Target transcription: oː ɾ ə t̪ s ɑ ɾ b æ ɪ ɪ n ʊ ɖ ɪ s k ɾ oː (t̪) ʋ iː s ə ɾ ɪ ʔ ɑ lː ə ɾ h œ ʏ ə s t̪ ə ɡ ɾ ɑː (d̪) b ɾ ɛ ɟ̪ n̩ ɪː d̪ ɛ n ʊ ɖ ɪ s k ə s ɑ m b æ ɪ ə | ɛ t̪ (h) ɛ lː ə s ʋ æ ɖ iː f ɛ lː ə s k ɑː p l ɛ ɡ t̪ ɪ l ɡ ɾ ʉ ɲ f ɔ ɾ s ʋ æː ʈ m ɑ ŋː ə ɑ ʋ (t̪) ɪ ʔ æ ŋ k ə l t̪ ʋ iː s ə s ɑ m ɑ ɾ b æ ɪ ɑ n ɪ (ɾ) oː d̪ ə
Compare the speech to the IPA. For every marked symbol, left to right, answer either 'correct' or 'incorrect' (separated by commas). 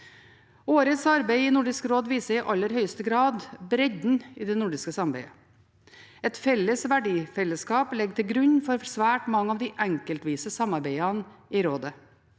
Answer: incorrect, correct, incorrect, incorrect, correct